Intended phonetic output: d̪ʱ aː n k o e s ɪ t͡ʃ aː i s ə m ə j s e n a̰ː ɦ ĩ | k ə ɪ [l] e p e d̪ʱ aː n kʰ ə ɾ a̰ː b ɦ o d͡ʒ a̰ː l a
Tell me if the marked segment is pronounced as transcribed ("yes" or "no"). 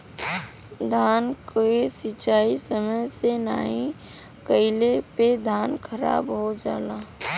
yes